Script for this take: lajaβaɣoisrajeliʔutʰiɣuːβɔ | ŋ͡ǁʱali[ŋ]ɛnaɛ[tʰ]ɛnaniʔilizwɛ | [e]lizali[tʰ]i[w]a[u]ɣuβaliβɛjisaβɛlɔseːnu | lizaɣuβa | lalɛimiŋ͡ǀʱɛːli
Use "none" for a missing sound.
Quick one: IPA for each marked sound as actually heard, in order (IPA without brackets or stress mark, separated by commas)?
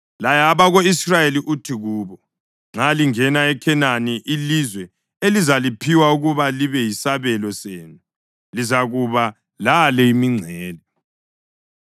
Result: ŋ, kʰ, e, pʰ, w, u